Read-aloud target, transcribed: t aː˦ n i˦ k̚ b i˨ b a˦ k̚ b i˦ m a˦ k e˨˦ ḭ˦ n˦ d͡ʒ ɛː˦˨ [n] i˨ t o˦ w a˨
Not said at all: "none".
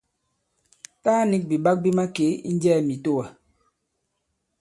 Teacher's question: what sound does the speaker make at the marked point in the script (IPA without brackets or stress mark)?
m